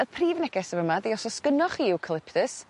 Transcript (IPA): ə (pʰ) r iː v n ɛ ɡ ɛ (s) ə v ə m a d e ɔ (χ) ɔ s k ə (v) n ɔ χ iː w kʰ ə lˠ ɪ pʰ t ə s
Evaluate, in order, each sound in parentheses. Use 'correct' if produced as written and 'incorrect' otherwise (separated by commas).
correct, correct, incorrect, incorrect